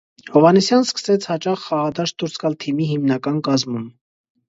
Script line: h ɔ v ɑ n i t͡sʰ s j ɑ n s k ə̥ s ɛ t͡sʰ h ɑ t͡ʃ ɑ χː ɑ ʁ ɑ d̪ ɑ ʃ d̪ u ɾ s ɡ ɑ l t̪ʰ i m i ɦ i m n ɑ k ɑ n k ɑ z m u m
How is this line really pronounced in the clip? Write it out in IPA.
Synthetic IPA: h ɔ v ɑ n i s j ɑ n s k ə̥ s ɛ t͡sʰ h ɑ t͡ʃ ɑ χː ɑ ʁ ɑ d̪ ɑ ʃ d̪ u ɾ s ɡ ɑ l t̪ʰ i m i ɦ i m n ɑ k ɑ n k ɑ z m u m